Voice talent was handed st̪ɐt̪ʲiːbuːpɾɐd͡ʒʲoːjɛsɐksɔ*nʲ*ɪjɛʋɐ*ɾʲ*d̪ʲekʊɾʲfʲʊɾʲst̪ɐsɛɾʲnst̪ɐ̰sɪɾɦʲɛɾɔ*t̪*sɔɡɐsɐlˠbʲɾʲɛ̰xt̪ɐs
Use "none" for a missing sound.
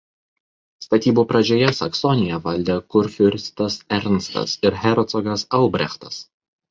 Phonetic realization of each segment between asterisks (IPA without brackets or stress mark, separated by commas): nʲ, lʲ, t̪